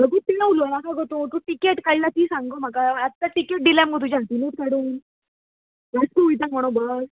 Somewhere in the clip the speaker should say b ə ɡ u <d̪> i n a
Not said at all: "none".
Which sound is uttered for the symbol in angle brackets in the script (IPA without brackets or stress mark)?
t̪